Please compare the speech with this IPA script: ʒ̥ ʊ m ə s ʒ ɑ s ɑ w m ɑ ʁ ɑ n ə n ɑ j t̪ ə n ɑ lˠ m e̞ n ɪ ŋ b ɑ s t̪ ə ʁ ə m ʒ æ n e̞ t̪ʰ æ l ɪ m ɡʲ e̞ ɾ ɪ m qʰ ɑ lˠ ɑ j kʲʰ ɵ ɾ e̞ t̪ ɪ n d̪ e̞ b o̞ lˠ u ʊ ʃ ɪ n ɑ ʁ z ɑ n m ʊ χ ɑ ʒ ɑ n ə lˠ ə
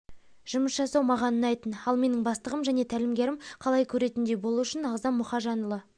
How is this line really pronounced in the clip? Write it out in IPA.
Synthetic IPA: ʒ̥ ʊ m ə s ʒ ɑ s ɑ w m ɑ ʁ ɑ n ə n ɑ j t̪ ə n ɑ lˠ m e̞ n ɪ ŋ b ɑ s t̪ ə ʁ ə m ʒ æ n e̞ t̪ʰ æ l ɪ m ɡʲ e̞ ɾ ɪ m qʰ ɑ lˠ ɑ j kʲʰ ɵ ɾ e̞ t̪ ɪ n d̪ e̞ b o̞ lˠ u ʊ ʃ ɪ n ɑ ʁ z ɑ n m ʊ χ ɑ ʒ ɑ n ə lˠ ə